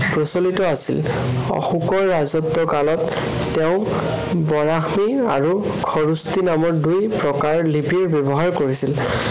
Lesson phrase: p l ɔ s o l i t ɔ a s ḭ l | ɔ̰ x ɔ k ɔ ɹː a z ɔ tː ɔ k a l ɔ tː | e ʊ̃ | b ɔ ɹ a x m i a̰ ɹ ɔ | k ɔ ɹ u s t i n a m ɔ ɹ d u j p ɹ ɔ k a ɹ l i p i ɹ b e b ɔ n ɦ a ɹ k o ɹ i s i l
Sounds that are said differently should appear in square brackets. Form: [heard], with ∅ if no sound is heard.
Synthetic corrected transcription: p [ɹ] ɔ s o l i t ɔ a s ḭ l | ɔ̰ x [u] k ɔ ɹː a z ɔ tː ɔ k a l ɔ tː | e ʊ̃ | b ɔ ɹ a x m i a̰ ɹ [u] | [kʰ] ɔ ɹ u s t i n a m ɔ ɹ d u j p ɹ ɔ k a ɹ l i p i ɹ b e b ɔ [∅] ɦ a ɹ k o ɹ i s i l